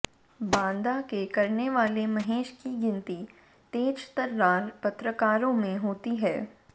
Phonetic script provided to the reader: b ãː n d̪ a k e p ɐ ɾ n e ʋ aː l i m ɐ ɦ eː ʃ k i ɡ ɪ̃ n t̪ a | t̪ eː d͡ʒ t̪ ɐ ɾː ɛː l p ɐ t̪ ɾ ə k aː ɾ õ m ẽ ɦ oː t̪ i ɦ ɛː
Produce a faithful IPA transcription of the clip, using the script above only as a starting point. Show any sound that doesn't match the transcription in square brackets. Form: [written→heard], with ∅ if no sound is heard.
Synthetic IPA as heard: b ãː n d̪ a k e [p→k] ɐ ɾ n e ʋ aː l [i→e] m ɐ ɦ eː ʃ k i ɡ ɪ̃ n t̪ [a→i] | t̪ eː d͡ʒ t̪ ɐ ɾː [ɛː→aː] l p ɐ t̪ ɾ ə k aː ɾ õ m ẽ ɦ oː t̪ i ɦ ɛː